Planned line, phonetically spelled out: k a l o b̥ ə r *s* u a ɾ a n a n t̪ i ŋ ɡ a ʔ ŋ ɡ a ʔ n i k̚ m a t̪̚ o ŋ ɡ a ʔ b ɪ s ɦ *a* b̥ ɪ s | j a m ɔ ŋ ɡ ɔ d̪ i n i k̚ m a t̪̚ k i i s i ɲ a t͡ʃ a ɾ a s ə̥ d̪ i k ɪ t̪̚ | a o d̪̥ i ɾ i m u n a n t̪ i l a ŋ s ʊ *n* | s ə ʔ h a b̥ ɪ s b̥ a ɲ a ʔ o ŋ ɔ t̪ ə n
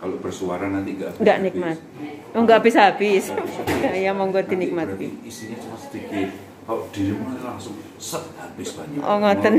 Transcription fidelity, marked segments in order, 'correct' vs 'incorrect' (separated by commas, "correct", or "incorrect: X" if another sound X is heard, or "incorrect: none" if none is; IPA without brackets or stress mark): correct, correct, incorrect: ŋ